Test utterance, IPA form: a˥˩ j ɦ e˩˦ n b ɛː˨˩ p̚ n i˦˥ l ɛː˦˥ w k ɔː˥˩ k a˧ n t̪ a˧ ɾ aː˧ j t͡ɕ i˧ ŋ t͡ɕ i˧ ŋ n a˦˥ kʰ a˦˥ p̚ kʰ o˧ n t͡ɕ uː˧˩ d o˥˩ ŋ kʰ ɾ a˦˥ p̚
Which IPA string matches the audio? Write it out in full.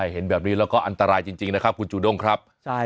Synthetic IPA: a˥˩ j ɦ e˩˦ n b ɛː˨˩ p̚ n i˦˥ l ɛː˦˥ w k ɔː˥˩ ʔ a˧ n t̪ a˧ ɾ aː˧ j t͡ɕ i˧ ŋ t͡ɕ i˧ ŋ n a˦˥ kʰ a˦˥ p̚ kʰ u˧ n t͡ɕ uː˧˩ d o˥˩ ŋ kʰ ɾ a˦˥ p̚